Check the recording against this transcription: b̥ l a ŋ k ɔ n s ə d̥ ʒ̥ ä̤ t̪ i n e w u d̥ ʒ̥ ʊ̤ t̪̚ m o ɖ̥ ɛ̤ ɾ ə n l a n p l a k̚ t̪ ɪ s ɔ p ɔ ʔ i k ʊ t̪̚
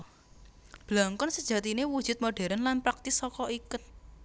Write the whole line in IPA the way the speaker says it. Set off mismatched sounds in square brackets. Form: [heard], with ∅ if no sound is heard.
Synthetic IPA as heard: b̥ l a ŋ k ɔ n s ə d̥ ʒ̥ ä̤ t̪ i n e w u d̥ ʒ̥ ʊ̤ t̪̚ m o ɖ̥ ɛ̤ ɾ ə n l a n p [ɾ] a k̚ t̪ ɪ s ɔ [k] ɔ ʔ i k ʊ t̪̚